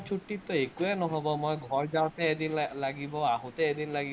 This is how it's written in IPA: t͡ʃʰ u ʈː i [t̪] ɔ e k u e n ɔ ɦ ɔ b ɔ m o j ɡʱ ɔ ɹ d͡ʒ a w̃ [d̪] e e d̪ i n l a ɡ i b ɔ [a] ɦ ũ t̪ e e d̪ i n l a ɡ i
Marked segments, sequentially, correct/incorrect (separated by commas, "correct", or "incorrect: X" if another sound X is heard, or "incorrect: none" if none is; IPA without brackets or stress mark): correct, incorrect: t̪, correct